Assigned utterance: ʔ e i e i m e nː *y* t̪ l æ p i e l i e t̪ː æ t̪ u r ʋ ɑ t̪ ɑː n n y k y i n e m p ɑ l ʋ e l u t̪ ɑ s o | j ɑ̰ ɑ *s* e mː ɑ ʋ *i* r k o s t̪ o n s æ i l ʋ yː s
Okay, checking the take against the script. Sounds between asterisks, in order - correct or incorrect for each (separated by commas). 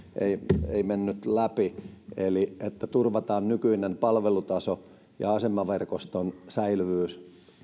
correct, correct, incorrect